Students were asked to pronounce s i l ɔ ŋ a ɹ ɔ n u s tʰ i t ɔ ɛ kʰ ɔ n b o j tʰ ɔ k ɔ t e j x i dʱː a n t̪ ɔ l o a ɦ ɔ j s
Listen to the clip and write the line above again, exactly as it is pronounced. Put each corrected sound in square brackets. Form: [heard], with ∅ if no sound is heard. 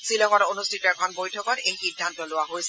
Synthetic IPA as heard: s i l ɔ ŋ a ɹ [o] n u s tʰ i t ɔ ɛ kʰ ɔ n b o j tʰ ɔ k ɔ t e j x i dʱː a n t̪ ɔ l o a ɦ [o] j s